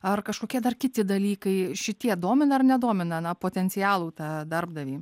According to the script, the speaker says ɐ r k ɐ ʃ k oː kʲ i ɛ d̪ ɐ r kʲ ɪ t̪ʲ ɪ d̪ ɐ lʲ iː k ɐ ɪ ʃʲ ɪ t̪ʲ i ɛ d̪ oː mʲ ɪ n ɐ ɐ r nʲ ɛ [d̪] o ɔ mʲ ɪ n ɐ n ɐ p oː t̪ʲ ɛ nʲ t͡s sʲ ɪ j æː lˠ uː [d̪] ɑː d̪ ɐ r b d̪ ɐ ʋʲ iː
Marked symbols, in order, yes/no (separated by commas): yes, no